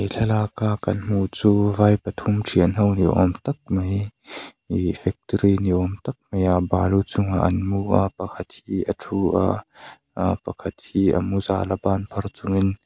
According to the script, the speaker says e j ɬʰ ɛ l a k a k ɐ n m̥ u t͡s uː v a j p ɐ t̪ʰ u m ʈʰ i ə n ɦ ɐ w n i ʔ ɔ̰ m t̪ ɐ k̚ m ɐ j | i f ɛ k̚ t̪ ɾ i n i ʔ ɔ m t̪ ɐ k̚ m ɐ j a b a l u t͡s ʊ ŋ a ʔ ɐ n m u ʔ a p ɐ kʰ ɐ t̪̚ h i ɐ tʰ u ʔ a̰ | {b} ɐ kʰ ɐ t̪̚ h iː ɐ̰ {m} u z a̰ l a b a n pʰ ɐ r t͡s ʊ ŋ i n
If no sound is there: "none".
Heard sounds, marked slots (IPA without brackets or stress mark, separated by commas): p, m